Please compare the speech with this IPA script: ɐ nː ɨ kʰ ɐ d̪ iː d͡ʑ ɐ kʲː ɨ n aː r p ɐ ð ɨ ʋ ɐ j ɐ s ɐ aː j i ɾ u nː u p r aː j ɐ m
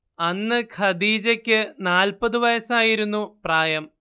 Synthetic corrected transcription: ɐ nː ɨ kʰ ɐ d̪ iː d͡ʑ ɐ kʲː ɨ n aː l p ɐ ð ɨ ʋ ɐ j ɐ s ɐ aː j i ɾ u nː u p r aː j ɐ m

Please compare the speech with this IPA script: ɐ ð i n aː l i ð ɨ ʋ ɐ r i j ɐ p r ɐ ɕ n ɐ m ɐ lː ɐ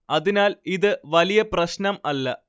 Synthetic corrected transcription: ɐ ð i n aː l i ð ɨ ʋ ɐ l i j ɐ p r ɐ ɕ n ɐ m ɐ lː ɐ

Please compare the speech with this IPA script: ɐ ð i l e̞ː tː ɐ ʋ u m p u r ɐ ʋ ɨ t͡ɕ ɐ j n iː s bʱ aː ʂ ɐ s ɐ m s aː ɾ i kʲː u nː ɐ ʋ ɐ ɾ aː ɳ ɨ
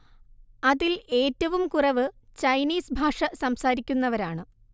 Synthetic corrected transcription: ɐ ð i l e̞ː tː ɐ ʋ u m k u r ɐ ʋ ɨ t͡ɕ ɐ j n iː s bʱ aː ʂ ɐ s ɐ m s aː ɾ i kʲː u nː ɐ ʋ ɐ ɾ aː ɳ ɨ

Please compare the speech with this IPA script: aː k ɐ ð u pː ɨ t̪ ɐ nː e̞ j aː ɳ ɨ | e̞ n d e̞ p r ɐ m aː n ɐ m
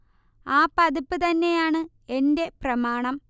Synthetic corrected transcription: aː p ɐ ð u pː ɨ t̪ ɐ nː e̞ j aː ɳ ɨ | e̞ n d e̞ p r ɐ m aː ɳ ɐ m

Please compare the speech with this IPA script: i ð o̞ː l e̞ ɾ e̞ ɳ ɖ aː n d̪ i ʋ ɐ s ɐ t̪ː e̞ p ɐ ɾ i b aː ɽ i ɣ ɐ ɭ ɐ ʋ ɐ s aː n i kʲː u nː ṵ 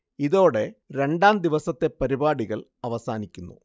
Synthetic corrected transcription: i ð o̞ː ɽ e̞ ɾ e̞ ɳ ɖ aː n d̪ i ʋ ɐ s ɐ t̪ː e̞ p ɐ ɾ i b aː ɽ i ɣ ɐ ɭ ɐ ʋ ɐ s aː n i kʲː u nː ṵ

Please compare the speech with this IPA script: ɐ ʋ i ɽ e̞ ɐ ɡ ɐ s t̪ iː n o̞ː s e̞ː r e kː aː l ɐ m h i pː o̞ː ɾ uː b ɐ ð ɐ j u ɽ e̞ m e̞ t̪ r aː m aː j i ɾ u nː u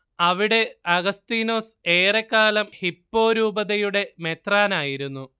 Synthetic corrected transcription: ɐ ʋ i ɽ e̞ ɐ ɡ ɐ s t̪ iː n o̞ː s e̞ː r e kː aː l ɐ m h i pː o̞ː ɾ uː b ɐ ð ɐ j u ɽ e̞ m e̞ t̪ r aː n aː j i ɾ u nː u

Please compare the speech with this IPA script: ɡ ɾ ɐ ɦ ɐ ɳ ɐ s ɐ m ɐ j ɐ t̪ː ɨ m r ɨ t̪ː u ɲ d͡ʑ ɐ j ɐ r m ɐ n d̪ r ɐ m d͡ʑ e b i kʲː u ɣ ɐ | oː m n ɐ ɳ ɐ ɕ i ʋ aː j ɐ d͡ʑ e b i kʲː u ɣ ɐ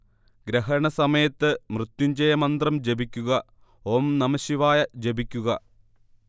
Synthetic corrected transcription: ɡ ɾ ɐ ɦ ɐ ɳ ɐ s ɐ m ɐ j ɐ t̪ː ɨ m r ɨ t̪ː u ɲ d͡ʑ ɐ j ɐ m ɐ n d̪ r ɐ m d͡ʑ e b i kʲː u ɣ ɐ | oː m n ɐ m ɐ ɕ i ʋ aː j ɐ d͡ʑ e b i kʲː u ɣ ɐ

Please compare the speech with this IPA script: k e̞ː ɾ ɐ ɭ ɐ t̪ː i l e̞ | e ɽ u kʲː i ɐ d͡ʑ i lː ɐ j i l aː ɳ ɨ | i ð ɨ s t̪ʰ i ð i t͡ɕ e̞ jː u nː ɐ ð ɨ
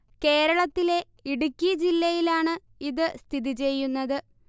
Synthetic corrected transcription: k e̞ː ɾ ɐ ɭ ɐ t̪ː i l e̞ | i ɽ u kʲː i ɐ d͡ʑ i lː ɐ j i l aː ɳ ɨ | i ð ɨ s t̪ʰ i ð i t͡ɕ e̞ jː u nː ɐ ð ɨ

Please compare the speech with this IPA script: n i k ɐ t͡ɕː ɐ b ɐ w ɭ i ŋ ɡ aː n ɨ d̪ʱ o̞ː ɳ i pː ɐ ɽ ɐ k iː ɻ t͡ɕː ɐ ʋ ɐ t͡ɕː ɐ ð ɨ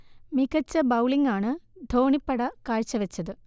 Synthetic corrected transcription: m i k ɐ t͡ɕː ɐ b ɐ w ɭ i ŋ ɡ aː ɳ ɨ d̪ʱ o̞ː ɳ i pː ɐ ɽ ɐ k aː ɻ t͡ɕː ɐ ʋ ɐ t͡ɕː ɐ ð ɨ

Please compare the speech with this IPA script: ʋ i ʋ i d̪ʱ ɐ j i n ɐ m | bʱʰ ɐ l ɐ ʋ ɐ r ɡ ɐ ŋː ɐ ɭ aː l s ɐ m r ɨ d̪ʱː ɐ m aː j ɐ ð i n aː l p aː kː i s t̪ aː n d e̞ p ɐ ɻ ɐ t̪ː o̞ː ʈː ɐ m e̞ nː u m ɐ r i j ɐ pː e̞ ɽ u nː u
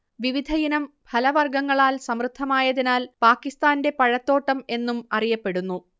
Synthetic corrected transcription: ʋ i ʋ i d̪ʱ ɐ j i n ɐ m | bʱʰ ɐ l ɐ ʋ ɐ r ɡ ɐ ŋː ɐ ɭ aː l s ɐ m r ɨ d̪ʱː ɐ m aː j ɐ ð i n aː l p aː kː i s t̪ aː n d e̞ p ɐ ɻ ɐ t̪ː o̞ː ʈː ɐ m e̞ nː u m ɐ r i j ɐ pː e̞ ɽ u nː u

